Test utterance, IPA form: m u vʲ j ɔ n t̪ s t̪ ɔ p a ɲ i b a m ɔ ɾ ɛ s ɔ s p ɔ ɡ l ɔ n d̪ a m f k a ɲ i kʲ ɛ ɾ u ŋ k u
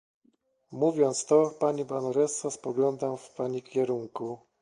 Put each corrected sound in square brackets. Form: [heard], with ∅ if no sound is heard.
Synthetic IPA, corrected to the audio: m u vʲ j ɔ n t̪ s t̪ ɔ p a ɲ i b a [n] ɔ ɾ ɛ s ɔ s p ɔ ɡ l ɔ n d̪ a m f [p] a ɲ i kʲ ɛ ɾ u ŋ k u